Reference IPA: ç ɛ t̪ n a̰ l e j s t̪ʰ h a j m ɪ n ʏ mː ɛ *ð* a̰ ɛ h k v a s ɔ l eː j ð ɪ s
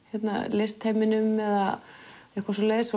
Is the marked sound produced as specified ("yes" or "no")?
yes